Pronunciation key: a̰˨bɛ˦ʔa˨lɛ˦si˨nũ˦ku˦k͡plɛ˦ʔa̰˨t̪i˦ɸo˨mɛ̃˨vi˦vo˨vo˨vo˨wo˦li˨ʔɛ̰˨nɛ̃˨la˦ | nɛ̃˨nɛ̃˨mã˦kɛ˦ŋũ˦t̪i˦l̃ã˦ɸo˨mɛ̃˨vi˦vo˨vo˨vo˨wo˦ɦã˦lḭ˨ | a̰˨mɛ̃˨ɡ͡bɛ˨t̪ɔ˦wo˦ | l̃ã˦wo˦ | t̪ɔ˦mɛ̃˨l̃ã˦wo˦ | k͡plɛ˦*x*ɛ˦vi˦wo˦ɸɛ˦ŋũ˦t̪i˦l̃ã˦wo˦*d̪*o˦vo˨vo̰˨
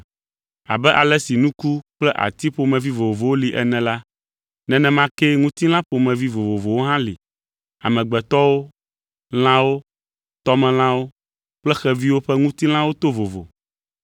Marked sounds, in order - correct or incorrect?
correct, incorrect

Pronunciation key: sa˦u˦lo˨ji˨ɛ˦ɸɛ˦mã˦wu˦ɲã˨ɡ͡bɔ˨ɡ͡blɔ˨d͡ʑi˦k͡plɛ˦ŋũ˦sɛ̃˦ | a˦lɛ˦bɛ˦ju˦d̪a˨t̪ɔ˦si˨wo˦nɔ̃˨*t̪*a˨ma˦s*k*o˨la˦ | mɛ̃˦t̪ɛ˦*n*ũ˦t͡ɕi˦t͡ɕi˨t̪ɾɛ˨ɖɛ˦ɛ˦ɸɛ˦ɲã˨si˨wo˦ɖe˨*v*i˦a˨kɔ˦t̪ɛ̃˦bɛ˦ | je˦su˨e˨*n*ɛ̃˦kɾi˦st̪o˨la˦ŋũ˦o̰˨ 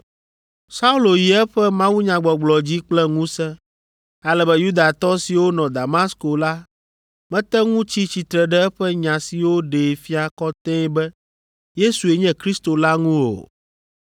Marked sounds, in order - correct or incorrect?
incorrect, correct, incorrect, incorrect, incorrect

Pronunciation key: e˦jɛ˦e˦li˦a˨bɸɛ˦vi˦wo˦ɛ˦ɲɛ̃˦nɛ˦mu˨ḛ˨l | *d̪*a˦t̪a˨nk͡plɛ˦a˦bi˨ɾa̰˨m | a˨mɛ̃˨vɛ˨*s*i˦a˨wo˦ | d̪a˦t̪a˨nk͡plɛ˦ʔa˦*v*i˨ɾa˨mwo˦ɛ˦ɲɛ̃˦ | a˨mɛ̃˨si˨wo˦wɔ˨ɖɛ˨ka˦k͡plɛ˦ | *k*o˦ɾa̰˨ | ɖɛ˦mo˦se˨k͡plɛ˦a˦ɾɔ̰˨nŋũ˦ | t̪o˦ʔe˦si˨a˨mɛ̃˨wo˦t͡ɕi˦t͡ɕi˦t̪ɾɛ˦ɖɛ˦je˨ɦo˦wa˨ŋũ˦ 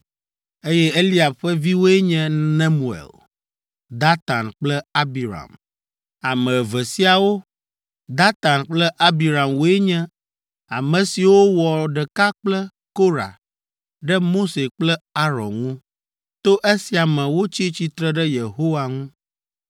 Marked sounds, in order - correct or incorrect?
correct, correct, incorrect, correct

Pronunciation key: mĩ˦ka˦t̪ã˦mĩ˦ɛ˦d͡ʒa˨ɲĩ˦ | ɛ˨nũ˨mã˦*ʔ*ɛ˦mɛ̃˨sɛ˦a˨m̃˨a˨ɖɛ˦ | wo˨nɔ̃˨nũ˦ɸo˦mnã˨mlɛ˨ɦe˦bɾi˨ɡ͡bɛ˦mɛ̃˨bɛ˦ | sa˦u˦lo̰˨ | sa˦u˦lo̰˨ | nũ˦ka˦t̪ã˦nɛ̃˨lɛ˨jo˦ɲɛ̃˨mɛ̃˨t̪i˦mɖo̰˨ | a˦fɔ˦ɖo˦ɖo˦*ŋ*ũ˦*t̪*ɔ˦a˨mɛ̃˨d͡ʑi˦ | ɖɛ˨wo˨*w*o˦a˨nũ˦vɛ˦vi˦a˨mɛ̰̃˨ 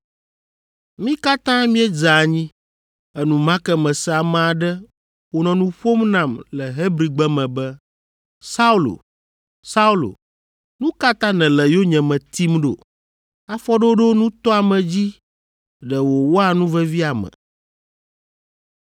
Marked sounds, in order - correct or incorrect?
incorrect, incorrect, correct, correct

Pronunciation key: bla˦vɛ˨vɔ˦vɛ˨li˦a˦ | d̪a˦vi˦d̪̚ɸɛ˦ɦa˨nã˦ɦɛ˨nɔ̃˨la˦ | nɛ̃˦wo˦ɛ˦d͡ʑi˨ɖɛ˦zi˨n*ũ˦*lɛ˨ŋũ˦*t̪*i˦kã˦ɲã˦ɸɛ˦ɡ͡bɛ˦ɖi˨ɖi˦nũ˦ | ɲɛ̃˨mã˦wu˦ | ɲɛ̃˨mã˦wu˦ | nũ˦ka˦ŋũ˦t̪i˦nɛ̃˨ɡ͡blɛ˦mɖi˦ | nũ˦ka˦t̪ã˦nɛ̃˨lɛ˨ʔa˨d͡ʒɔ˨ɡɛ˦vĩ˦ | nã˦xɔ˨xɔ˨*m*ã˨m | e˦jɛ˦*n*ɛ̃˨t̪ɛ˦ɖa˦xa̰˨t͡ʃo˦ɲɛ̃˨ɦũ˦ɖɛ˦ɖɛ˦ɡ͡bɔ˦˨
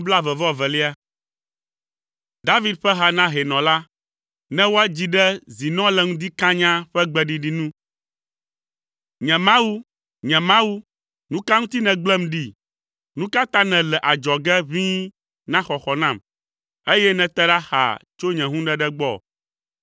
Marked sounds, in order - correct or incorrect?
incorrect, incorrect, incorrect, correct

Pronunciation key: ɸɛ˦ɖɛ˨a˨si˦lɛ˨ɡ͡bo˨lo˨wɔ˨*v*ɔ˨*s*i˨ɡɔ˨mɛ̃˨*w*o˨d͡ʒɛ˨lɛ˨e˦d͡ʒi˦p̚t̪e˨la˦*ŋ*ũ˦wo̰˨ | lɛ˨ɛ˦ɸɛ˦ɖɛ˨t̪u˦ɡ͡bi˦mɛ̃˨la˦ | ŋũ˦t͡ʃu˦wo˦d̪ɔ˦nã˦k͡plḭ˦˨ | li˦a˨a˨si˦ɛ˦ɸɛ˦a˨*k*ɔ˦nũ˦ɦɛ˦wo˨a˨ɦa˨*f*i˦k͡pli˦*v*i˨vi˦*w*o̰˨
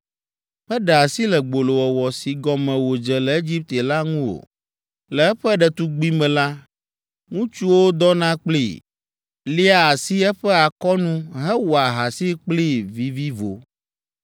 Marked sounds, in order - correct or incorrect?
incorrect, correct, correct, correct, correct, incorrect, correct, incorrect

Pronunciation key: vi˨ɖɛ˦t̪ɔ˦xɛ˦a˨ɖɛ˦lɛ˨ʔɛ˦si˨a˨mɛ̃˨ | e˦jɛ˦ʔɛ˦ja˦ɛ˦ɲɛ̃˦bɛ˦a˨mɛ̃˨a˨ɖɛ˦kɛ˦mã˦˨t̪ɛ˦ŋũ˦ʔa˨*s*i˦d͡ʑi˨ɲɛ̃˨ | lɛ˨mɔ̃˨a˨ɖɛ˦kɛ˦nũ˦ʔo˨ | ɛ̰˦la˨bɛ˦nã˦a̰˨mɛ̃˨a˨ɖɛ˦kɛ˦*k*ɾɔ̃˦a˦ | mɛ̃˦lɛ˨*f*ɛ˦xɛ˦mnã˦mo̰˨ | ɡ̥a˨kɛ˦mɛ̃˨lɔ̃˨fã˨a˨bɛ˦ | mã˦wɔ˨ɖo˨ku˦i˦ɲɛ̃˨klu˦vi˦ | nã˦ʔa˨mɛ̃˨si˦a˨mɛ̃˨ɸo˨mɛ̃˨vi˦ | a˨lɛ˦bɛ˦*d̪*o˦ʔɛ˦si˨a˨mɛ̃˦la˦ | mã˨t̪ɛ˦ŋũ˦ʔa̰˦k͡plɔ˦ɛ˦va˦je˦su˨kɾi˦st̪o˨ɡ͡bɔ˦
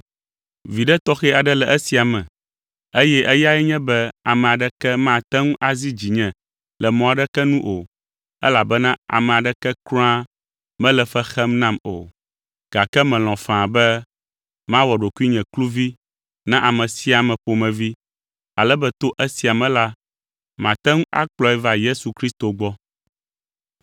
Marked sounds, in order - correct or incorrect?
incorrect, correct, correct, incorrect

